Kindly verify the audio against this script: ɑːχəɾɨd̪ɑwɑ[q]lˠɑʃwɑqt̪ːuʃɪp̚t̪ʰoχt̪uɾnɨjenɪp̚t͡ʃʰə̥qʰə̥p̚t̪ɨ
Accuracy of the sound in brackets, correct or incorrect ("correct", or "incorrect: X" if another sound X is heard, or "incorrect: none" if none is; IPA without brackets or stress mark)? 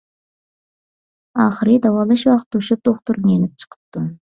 incorrect: none